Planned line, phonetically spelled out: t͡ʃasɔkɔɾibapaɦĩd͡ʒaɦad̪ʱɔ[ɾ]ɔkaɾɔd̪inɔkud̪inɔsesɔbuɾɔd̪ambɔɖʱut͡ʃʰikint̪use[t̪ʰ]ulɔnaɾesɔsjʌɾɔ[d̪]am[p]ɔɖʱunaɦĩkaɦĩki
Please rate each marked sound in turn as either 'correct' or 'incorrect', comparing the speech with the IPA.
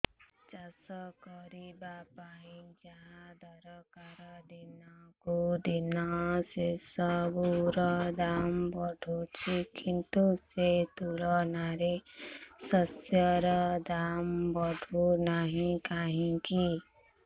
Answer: correct, incorrect, correct, incorrect

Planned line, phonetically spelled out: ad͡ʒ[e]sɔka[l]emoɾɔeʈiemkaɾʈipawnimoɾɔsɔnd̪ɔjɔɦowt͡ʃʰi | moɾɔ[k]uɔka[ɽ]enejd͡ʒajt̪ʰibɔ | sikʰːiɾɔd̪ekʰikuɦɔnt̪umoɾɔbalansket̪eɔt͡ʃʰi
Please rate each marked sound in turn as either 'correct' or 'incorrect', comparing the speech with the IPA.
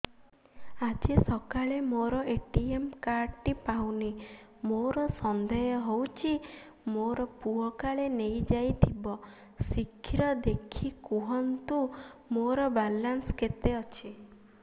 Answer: correct, incorrect, incorrect, incorrect

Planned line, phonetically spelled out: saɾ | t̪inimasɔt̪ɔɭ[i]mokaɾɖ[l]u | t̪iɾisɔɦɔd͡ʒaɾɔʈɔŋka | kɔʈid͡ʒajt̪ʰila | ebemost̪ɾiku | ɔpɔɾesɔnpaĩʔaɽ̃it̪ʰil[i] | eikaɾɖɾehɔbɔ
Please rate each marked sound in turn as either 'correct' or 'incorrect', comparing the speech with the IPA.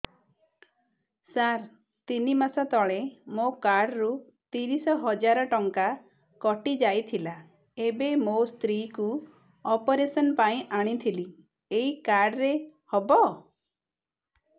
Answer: incorrect, incorrect, correct

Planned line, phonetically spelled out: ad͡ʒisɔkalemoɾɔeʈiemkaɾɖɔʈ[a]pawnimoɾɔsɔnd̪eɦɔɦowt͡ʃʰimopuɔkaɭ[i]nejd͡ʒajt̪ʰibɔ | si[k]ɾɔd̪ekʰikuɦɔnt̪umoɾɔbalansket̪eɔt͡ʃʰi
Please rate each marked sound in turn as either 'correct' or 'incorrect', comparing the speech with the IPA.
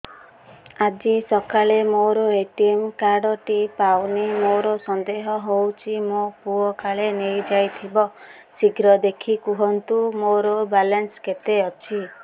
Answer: incorrect, incorrect, incorrect

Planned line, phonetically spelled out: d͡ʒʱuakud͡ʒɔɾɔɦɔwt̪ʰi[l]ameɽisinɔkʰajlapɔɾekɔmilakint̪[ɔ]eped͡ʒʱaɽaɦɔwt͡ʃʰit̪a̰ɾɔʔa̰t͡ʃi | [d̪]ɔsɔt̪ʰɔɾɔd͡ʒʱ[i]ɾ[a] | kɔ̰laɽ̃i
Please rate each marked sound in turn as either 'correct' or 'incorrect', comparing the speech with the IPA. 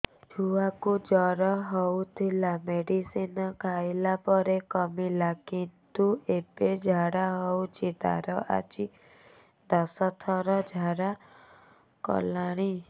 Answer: correct, incorrect, correct, incorrect, correct

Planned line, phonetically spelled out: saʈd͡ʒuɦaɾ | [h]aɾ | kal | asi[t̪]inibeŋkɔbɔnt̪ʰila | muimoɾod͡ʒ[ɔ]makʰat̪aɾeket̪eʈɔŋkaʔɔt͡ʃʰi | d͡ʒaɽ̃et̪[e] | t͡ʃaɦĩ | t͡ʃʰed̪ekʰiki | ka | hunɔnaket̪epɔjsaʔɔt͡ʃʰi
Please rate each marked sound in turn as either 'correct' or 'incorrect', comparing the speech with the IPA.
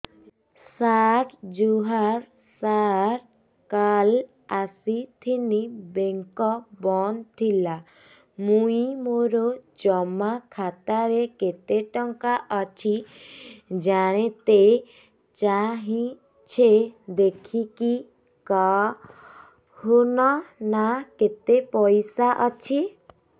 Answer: incorrect, incorrect, correct, correct

